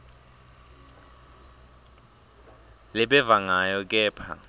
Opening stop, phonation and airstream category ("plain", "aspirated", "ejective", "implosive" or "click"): implosive